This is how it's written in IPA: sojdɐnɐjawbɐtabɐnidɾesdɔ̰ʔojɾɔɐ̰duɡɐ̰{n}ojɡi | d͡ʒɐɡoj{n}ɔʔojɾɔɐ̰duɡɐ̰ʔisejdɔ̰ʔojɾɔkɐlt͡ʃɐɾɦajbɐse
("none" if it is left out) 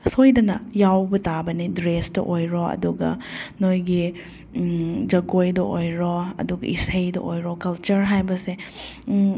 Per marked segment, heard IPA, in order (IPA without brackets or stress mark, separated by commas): n, d